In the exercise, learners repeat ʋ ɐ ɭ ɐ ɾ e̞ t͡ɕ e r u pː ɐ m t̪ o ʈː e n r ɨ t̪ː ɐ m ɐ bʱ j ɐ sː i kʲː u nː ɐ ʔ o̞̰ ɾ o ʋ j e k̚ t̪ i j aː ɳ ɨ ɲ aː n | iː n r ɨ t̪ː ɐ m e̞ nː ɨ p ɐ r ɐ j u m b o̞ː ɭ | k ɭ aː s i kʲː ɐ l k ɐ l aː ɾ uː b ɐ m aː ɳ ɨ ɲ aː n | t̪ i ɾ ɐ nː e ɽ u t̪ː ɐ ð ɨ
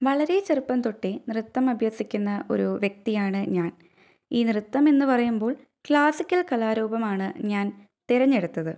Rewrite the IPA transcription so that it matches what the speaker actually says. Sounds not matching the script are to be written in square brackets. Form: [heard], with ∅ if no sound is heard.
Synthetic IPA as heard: ʋ ɐ ɭ ɐ ɾ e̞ t͡ɕ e r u pː ɐ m t̪ o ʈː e n r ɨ t̪ː ɐ m ɐ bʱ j ɐ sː i kʲː u nː ɐ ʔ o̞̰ ɾ [u] ʋ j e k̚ t̪ i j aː ɳ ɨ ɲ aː n | iː n r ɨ t̪ː ɐ m e̞ nː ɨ p ɐ r ɐ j u m b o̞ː ɭ | k ɭ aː s i kʲː ɐ l k ɐ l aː ɾ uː b ɐ m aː ɳ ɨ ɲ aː n | t̪ i ɾ ɐ [ɲː] e ɽ u t̪ː ɐ ð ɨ

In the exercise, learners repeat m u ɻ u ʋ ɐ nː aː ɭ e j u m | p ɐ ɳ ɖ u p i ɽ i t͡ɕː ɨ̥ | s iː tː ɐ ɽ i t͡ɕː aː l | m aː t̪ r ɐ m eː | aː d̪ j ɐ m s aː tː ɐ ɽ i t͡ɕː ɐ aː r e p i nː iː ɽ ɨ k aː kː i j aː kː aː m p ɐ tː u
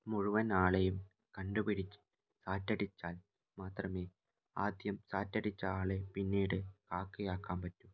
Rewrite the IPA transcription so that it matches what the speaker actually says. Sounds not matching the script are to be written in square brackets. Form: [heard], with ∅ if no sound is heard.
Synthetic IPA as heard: m u ɻ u ʋ ɐ [n] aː ɭ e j u m | [k] ɐ ɳ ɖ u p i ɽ i t͡ɕː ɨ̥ | s [aː] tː ɐ ɽ i t͡ɕː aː l | m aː t̪ r ɐ m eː | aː d̪ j ɐ m s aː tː ɐ ɽ i t͡ɕː ɐ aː [ɭ] e p i nː iː ɽ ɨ k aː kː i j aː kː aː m p ɐ tː u

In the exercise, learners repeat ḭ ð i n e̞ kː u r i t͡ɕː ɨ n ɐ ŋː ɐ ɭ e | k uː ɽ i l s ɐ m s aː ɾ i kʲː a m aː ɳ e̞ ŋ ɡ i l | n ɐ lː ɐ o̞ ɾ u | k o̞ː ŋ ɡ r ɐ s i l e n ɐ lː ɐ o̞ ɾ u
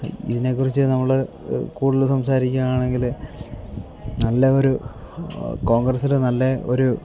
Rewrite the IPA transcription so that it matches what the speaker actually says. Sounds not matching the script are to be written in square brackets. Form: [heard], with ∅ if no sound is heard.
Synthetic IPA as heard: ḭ ð i n e̞ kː u r i t͡ɕː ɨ n ɐ [mː] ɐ ɭ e | k uː ɽ i l s ɐ m s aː ɾ i kʲː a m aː ɳ e̞ ŋ ɡ i l | n ɐ lː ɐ o̞ ɾ u | k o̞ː ŋ ɡ r ɐ s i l e n ɐ lː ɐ o̞ ɾ u

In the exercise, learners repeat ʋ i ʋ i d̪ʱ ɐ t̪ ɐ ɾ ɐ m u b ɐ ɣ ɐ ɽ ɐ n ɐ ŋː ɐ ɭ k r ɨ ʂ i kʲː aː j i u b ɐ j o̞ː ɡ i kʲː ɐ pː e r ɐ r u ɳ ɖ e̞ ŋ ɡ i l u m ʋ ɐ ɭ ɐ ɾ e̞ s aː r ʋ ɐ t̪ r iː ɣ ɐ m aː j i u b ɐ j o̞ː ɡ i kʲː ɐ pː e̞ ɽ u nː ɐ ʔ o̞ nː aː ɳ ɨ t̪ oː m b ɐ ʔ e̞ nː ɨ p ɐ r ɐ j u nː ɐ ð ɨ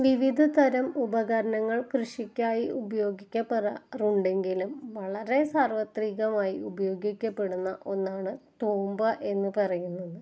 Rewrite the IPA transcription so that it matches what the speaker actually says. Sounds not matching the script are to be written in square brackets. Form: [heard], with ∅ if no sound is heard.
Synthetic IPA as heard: ʋ i ʋ i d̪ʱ ɐ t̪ ɐ ɾ ɐ m u b ɐ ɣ ɐ [ɾ] ɐ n ɐ ŋː ɐ ɭ k r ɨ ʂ i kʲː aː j i u b ɐ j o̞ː ɡ i kʲː ɐ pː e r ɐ r u ɳ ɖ e̞ ŋ ɡ i l u m ʋ ɐ ɭ ɐ ɾ e̞ s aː r ʋ ɐ t̪ r iː ɣ ɐ m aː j i u b ɐ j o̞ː ɡ i kʲː ɐ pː e̞ ɽ u nː ɐ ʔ o̞ nː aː ɳ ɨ t̪ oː m b ɐ ʔ e̞ nː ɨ p ɐ r ɐ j u nː ɐ ð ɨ

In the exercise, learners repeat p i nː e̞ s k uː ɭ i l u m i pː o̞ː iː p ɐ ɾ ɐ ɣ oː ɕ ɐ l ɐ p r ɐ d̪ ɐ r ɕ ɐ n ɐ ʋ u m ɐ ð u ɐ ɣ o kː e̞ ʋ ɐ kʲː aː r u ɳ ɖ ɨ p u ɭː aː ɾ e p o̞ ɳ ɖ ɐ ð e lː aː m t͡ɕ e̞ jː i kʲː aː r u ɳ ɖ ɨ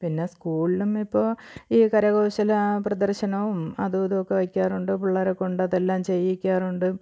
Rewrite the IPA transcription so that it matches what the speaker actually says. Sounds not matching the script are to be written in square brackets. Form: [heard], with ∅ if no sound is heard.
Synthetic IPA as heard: p i nː e̞ s k uː ɭ i l u m i pː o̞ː iː [k] ɐ ɾ ɐ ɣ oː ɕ ɐ l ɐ p r ɐ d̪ ɐ r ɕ ɐ n ɐ ʋ u m ɐ ð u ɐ [ð] o kː e̞ ʋ ɐ kʲː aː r u ɳ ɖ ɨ p u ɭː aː ɾ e [k] o̞ ɳ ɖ ɐ ð e lː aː m t͡ɕ e̞ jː i kʲː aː r u ɳ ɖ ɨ

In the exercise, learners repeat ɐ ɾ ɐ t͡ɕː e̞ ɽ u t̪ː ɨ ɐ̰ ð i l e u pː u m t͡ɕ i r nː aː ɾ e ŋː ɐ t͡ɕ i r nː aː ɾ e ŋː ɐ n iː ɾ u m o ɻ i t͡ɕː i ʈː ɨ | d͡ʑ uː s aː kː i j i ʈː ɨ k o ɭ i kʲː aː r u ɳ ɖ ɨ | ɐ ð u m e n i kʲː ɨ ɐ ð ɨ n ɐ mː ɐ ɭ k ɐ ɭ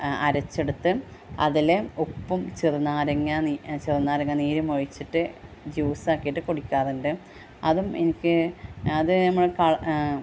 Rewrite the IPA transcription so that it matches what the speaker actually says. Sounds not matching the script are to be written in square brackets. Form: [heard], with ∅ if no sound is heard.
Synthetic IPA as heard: ɐ ɾ ɐ t͡ɕː e̞ ɽ u t̪ː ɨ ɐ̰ ð i l e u pː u m t͡ɕ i r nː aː ɾ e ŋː ɐ t͡ɕ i r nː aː ɾ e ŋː ɐ n iː ɾ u m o ɻ i t͡ɕː i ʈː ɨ | d͡ʑ uː s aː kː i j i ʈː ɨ k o [ɽ] i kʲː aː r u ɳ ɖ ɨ | ɐ ð u m e n i kʲː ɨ ɐ ð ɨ n ɐ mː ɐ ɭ k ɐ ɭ

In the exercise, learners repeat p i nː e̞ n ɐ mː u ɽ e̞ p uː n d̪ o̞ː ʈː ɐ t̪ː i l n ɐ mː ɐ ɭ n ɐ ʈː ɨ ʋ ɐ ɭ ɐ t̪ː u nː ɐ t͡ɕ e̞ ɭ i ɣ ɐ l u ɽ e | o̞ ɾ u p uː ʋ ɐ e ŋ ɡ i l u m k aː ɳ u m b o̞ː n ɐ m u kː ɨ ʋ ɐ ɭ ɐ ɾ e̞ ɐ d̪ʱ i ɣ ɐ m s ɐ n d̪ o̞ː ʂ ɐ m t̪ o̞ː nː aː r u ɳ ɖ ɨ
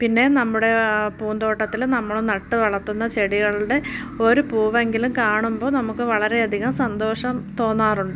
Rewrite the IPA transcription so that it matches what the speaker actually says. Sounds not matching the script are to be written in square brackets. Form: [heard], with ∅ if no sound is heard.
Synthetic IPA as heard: p i nː e̞ n ɐ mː u ɽ e̞ p uː n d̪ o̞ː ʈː ɐ t̪ː i l n ɐ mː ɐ ɭ n ɐ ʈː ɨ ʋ ɐ ɭ ɐ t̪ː u nː ɐ t͡ɕ e̞ [ɽ] i ɣ ɐ [ɭ] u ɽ e | o̞ ɾ u p uː ʋ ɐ e ŋ ɡ i l u m k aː ɳ u m b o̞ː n ɐ m u kː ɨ ʋ ɐ ɭ ɐ ɾ e̞ ɐ d̪ʱ i ɣ ɐ m s ɐ n d̪ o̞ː ʂ ɐ m t̪ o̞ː nː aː r u ɳ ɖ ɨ

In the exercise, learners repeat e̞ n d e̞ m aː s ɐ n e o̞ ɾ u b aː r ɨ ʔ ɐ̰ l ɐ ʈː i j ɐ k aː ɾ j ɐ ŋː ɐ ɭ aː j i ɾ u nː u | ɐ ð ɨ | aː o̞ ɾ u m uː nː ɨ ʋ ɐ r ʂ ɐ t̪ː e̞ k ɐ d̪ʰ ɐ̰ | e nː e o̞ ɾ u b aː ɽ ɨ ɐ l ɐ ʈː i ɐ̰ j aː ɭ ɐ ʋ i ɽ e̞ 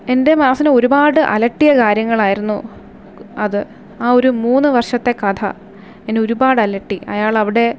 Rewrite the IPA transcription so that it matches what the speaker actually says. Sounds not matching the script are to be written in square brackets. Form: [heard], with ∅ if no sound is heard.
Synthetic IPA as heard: e̞ n d e̞ m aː s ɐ n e o̞ ɾ u b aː [ɽ] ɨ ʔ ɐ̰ l ɐ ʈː i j ɐ k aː ɾ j ɐ ŋː ɐ ɭ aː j i ɾ u nː u | ɐ ð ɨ | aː o̞ ɾ u m uː nː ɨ ʋ ɐ r ʂ ɐ t̪ː e̞ k ɐ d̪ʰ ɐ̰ | e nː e o̞ ɾ u b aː ɽ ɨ ɐ l ɐ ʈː i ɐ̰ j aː ɭ ɐ ʋ i ɽ e̞

